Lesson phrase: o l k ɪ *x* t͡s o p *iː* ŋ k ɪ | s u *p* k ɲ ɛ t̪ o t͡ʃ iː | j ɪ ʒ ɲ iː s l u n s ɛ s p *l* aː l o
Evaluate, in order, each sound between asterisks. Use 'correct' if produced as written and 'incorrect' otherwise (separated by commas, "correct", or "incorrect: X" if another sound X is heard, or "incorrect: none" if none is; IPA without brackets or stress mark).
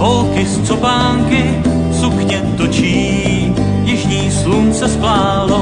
incorrect: s, incorrect: aː, incorrect: none, correct